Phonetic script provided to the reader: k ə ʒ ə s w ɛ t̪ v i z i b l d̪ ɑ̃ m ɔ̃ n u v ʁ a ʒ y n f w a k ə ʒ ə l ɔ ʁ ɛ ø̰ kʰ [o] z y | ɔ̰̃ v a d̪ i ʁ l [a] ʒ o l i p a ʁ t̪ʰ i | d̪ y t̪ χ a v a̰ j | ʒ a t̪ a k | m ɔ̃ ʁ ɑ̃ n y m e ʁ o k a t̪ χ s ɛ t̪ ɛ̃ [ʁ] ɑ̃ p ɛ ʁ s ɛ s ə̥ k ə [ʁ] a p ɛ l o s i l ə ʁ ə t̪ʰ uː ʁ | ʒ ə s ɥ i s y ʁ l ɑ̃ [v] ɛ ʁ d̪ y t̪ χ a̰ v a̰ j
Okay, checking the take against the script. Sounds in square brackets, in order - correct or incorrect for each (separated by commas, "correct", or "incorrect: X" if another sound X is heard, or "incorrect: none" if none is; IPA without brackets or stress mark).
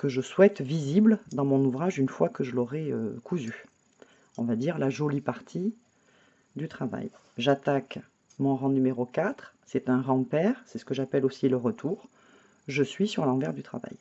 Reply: incorrect: u, correct, correct, incorrect: ʒ, correct